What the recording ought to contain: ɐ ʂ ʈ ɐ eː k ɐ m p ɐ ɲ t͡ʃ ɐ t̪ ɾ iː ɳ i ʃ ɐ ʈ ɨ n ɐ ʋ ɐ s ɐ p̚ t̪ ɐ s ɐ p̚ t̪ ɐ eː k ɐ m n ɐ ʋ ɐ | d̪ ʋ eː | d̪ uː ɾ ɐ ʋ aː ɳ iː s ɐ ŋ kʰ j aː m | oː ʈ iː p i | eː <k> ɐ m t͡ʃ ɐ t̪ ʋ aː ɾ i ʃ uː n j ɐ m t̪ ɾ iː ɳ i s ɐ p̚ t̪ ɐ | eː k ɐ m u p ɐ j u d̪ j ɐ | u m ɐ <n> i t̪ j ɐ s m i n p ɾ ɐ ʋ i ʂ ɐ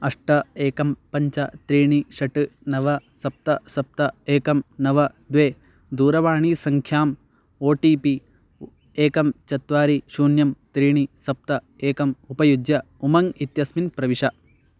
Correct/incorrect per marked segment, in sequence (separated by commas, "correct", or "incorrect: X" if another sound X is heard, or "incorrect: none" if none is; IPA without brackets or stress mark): correct, incorrect: ŋ